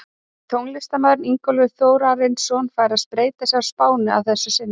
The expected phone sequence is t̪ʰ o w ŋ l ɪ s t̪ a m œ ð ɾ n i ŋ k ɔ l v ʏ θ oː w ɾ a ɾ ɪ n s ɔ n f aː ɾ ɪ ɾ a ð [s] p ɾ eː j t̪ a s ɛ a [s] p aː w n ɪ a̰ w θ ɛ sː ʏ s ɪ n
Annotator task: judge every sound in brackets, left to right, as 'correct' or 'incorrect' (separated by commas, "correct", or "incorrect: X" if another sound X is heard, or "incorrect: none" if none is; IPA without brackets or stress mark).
correct, correct